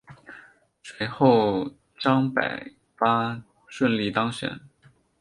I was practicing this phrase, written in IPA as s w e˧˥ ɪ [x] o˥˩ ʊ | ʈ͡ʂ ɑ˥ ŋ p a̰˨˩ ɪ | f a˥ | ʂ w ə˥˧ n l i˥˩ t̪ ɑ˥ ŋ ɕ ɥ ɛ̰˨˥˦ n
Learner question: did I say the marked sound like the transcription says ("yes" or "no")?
yes